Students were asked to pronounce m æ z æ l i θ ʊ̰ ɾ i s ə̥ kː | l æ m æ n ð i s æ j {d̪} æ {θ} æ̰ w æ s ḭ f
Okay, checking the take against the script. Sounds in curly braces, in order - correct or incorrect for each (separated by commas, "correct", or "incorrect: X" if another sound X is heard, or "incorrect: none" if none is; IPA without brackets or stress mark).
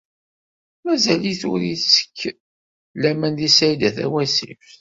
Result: correct, correct